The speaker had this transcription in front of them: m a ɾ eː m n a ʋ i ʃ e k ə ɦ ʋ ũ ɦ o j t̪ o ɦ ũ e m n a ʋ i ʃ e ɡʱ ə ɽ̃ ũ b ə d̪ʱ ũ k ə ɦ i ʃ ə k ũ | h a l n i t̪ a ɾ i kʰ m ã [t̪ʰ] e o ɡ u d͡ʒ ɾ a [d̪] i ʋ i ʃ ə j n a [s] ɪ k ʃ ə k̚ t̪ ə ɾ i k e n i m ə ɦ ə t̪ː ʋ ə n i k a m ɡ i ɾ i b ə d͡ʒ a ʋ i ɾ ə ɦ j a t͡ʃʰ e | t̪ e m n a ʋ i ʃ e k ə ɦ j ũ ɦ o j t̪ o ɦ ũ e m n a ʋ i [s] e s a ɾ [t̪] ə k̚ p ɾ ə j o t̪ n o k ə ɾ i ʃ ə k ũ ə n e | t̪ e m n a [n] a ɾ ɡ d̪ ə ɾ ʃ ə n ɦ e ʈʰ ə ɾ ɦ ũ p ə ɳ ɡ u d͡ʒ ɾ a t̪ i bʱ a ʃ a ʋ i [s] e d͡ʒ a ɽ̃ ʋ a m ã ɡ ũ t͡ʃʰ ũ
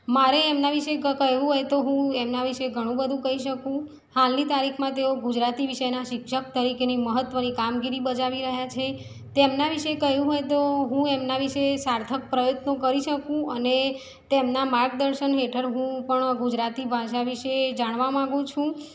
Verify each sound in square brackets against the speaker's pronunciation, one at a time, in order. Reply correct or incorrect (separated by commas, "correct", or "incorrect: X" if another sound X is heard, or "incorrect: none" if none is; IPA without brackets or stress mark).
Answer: incorrect: t̪, incorrect: t̪, incorrect: ʃ, incorrect: ʃ, incorrect: t̪ʰ, incorrect: m, incorrect: ʃ